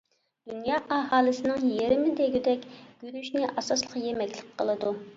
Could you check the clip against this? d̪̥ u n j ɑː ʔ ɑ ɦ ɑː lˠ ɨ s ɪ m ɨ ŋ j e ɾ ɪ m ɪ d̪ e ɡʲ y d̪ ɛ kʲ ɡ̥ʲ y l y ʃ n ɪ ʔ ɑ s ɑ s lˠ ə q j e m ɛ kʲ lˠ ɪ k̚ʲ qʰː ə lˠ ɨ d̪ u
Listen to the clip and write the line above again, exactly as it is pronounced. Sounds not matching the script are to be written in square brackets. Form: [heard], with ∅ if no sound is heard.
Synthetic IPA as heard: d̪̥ u n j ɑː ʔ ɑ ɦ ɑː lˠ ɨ s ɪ [n] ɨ ŋ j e ɾ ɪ m ɪ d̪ e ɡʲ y d̪ ɛ kʲ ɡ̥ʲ y [ɾ] y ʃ n ɪ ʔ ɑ s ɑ s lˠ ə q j e m ɛ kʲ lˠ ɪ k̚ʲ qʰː ə lˠ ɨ d̪ u

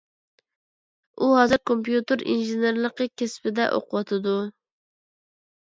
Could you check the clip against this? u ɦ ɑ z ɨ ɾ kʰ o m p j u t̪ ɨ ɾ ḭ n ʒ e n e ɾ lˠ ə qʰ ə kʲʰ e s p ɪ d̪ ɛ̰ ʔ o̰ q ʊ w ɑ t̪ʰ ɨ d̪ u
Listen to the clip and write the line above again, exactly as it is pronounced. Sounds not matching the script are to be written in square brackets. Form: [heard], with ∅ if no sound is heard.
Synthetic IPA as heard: u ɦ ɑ z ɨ ɾ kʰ o m p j u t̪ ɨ ɾ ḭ n ʒ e n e ɾ lˠ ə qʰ ə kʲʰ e s p ɪ d̪ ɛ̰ ʔ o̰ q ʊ w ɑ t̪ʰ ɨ d̪ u

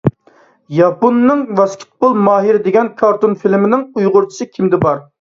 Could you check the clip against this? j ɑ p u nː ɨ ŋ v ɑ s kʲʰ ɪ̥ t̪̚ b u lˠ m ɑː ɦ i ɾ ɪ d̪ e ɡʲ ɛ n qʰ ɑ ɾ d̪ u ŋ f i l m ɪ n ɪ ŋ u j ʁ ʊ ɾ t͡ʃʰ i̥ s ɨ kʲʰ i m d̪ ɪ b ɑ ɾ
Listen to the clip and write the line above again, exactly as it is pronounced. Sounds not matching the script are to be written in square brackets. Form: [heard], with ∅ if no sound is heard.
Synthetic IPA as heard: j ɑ p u nː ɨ ŋ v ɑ s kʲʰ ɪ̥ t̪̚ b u lˠ m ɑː ɦ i ɾ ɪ d̪ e ɡʲ ɛ n [kʰ] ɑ ɾ [t̪] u [n] f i l m ɪ n ɪ ŋ u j ʁ ʊ ɾ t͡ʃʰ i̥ s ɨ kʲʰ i m d̪ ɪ b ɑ ɾ

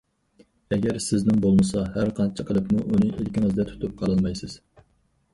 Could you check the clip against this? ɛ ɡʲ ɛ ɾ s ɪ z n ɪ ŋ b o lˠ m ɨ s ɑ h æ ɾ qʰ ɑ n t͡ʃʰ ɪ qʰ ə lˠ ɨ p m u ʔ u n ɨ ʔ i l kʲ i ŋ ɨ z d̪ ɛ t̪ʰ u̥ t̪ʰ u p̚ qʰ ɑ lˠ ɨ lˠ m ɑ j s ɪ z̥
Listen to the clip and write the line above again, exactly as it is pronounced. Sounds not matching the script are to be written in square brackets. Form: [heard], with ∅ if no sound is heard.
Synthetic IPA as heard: ɛ ɡʲ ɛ ɾ s ɪ z n ɪ ŋ b o lˠ m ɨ s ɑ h æ ɾ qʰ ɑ n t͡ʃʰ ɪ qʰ ə lˠ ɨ p m u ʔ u n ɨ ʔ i l kʲ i ŋ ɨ z d̪ ɛ t̪ʰ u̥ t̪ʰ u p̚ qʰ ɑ lˠ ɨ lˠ m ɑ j s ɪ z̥

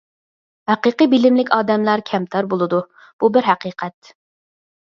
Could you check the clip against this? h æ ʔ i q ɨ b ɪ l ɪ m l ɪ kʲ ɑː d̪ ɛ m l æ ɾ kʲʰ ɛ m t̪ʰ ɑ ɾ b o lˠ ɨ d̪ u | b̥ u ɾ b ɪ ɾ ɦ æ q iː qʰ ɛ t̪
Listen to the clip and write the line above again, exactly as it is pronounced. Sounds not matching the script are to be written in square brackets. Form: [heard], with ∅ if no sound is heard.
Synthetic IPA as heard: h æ [q] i q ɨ b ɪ l ɪ m l ɪ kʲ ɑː d̪ ɛ m l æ ɾ kʲʰ ɛ m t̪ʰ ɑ ɾ b o lˠ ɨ d̪ u | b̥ u [∅] b ɪ ɾ ɦ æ q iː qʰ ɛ t̪

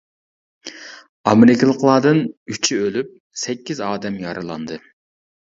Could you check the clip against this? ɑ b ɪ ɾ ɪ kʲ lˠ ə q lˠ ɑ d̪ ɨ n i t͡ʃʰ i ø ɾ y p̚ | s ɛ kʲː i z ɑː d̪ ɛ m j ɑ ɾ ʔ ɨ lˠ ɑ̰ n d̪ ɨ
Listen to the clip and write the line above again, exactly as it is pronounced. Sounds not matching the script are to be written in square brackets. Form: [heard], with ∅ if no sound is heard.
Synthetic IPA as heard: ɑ [m] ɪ ɾ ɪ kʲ lˠ ə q lˠ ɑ d̪ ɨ n [y] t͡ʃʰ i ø [l] y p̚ | s ɛ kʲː i z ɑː d̪ ɛ m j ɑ ɾ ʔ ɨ lˠ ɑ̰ n d̪ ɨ

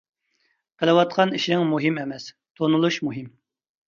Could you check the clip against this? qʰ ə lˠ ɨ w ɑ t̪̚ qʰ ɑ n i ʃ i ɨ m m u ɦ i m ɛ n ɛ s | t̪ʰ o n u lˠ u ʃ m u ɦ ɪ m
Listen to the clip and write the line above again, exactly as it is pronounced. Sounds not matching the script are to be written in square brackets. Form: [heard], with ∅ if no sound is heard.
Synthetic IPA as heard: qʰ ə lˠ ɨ w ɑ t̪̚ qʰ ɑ n i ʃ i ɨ [ŋ] m u ɦ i m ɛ [m] ɛ s | t̪ʰ o n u lˠ u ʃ m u ɦ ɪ m

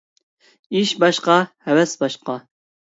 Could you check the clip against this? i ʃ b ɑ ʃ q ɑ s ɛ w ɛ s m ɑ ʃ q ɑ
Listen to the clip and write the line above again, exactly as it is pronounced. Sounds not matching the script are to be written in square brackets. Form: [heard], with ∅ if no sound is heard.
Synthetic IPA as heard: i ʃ b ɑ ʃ q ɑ [h] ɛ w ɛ s [b] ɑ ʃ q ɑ

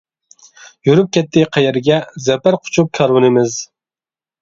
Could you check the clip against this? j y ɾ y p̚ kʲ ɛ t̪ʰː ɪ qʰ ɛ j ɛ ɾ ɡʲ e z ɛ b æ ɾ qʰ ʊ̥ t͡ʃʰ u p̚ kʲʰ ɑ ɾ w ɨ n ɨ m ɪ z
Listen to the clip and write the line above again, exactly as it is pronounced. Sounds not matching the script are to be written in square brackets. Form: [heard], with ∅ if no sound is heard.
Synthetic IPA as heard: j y ɾ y p̚ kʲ ɛ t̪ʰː ɪ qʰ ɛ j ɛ ɾ ɡʲ [ɛ] z ɛ [p] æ ɾ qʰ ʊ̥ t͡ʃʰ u p̚ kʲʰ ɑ ɾ w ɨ n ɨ m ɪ z

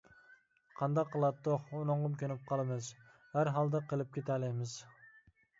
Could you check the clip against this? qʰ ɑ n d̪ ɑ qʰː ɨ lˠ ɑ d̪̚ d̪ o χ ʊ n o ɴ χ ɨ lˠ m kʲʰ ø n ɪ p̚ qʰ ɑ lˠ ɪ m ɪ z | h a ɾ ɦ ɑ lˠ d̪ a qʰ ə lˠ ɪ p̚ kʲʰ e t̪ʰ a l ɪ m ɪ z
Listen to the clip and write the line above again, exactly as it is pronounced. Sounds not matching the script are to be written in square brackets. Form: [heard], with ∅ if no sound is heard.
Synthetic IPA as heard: qʰ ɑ n d̪ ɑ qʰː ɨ lˠ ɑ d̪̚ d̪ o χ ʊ n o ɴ [ʁ] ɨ [∅] m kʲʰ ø n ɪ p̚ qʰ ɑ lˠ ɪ m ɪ z | h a ɾ ɦ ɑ lˠ d̪ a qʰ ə lˠ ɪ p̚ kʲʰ e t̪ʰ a l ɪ m ɪ z

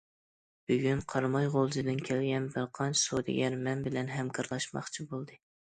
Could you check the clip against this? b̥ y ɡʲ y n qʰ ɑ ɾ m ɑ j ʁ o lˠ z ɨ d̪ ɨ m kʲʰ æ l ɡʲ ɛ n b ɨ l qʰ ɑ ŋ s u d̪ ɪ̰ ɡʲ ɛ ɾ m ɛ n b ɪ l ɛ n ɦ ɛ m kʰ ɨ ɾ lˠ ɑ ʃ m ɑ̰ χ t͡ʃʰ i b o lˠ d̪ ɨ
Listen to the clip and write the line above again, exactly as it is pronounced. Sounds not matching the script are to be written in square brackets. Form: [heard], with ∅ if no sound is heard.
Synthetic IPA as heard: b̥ y ɡʲ y n qʰ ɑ ɾ m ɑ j ʁ o lˠ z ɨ d̪ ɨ [n] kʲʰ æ l ɡʲ ɛ n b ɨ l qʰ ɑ [n] s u d̪ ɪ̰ ɡʲ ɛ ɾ m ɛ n b ɪ l ɛ n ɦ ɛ m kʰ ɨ ɾ lˠ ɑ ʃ m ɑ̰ χ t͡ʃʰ i b o lˠ d̪ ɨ

